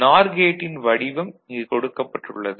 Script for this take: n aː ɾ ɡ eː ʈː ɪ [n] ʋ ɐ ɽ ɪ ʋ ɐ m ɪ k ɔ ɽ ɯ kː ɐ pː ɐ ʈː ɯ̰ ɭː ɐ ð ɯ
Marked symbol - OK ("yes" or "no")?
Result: yes